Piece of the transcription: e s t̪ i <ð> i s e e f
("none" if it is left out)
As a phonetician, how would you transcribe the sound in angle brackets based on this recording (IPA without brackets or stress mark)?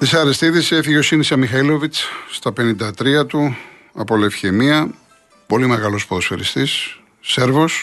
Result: ð